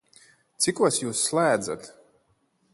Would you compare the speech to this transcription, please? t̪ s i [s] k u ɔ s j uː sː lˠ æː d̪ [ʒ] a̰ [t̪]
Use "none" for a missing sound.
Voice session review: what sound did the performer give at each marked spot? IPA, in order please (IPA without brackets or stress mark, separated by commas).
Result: none, z, t̪